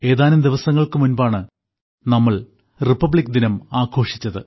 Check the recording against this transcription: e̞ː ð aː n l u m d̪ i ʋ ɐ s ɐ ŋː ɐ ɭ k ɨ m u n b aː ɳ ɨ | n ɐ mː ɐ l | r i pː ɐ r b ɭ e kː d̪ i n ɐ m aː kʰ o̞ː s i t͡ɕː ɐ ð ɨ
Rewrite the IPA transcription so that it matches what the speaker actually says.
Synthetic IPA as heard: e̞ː ð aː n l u m d̪ i ʋ ɐ s ɐ ŋː ɐ ɭ k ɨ m u n b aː ɳ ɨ | n ɐ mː ɐ ɭ | r i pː ɐ b ɭ i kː d̪ i n ɐ m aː kʰ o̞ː ʂ i t͡ɕː ɐ ð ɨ